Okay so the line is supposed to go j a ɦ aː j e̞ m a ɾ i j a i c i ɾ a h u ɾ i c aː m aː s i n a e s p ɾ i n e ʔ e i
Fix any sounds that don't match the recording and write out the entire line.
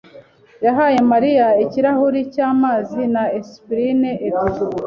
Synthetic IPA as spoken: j a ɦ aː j e̞ m a ɾ i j a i c i ɾ a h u ɾ i c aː m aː z i n a e s p ɾ i n e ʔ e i